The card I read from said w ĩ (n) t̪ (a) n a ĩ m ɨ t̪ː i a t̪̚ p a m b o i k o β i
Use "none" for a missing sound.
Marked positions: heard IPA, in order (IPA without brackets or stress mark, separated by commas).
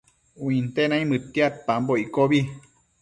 n, e